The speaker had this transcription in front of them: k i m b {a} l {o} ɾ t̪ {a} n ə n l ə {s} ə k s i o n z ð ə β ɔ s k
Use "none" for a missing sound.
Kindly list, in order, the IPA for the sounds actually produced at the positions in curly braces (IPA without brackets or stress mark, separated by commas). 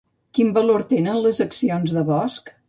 ə, o, e, z